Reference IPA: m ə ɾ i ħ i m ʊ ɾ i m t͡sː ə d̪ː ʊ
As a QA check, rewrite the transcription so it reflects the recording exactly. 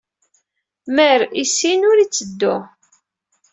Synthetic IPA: m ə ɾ i s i n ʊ ɾ i t͡sː ə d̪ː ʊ